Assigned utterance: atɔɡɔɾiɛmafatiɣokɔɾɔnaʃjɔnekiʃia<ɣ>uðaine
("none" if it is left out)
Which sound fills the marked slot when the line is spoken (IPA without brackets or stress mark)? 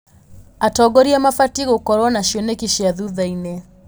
ð